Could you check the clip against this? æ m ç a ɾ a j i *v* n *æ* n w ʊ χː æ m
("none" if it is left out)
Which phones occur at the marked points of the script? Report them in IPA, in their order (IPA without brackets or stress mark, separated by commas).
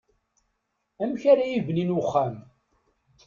v, i